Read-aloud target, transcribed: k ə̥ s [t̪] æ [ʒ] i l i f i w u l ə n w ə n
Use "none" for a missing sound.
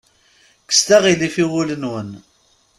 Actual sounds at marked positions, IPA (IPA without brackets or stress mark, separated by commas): t̪, ʁ